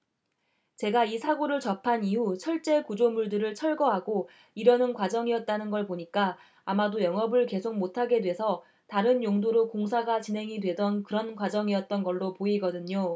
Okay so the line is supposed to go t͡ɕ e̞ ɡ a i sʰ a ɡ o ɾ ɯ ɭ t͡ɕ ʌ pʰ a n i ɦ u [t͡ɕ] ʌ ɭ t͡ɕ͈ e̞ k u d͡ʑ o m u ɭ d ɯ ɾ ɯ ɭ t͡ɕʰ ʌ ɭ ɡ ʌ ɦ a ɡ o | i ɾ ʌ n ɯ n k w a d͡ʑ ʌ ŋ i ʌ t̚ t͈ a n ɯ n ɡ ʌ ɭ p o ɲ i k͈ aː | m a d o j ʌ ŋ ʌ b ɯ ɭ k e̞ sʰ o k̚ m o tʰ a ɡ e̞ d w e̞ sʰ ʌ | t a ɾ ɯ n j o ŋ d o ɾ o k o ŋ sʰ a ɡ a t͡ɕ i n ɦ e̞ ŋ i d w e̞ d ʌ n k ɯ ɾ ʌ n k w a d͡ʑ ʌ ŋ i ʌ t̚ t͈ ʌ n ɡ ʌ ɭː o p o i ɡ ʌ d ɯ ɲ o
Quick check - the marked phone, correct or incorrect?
incorrect